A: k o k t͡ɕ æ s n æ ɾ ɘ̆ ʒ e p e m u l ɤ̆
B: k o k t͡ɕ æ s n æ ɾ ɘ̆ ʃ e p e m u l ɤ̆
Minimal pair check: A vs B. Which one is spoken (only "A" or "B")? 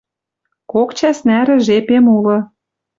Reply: A